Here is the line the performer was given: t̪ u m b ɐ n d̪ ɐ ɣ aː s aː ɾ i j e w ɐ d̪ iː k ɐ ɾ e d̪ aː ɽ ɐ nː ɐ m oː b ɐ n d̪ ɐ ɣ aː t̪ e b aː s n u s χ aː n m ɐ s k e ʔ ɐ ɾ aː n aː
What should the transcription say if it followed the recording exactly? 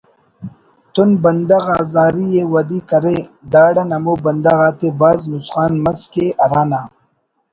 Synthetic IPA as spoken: t̪ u n b ɐ n d̪ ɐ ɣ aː z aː ɾ i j e w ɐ d̪ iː k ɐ ɾ e d̪ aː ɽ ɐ n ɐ m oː b ɐ n d̪ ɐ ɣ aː t̪ e b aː z n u s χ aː n m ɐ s k e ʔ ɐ ɾ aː n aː